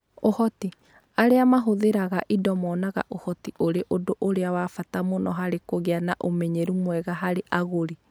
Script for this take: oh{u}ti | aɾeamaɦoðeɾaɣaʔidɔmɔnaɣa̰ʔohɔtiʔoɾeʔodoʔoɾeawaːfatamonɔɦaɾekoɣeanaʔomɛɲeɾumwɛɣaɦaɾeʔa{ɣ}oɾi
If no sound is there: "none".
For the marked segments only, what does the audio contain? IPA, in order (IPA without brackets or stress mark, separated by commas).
ɔ, ɣ